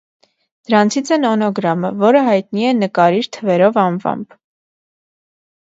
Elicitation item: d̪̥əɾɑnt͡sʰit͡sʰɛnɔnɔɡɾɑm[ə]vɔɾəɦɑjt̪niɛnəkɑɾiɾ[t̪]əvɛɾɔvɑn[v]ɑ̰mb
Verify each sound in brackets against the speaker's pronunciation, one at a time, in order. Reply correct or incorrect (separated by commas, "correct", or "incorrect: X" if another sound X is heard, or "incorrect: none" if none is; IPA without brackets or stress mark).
correct, incorrect: t̪ʰ, correct